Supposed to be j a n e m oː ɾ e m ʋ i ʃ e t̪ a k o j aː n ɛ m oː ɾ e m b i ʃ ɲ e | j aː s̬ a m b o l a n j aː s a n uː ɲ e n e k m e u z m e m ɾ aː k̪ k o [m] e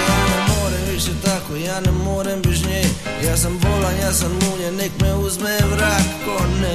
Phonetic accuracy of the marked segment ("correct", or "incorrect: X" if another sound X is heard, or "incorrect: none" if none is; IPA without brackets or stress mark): incorrect: n